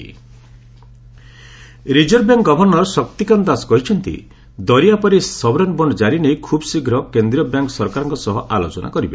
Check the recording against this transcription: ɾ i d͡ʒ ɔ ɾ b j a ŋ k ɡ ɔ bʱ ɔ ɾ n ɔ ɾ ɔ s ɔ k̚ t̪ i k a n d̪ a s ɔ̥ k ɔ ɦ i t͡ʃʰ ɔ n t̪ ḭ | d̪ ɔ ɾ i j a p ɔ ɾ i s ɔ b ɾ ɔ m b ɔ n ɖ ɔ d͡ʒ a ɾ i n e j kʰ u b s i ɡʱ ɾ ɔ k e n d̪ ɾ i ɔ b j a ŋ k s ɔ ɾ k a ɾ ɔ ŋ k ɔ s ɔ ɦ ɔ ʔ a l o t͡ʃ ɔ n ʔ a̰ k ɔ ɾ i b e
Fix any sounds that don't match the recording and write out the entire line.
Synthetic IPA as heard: ɾ i d͡ʒ ɔ ɾ b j a ŋ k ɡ ɔ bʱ ɔ ɾ n ɔ ɾ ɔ s ɔ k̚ t̪ i k a n d̪ a s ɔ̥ k ɔ ɦ i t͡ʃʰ ɔ n t̪ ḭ | d̪ ɔ ɾ i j a p ɔ ɾ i s ɔ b ɾ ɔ n b ɔ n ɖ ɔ d͡ʒ a ɾ i n e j kʰ u b s i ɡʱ ɾ ɔ k e n d̪ ɾ i ɔ b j a ŋ k s ɔ ɾ k a ɾ ɔ ŋ k ɔ s ɔ ɦ ɔ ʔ a l o t͡ʃ ɔ n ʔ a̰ k ɔ ɾ i b e